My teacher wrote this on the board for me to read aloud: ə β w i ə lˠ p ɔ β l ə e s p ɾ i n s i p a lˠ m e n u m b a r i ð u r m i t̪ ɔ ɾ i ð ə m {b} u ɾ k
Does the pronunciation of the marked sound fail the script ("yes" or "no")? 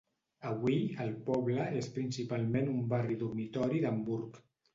no